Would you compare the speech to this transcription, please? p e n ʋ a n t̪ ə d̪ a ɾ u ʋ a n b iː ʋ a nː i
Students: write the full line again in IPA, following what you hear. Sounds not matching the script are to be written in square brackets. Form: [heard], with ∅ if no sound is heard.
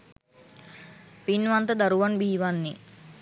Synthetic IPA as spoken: p [i] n ʋ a n t̪ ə d̪ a ɾ u ʋ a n b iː ʋ a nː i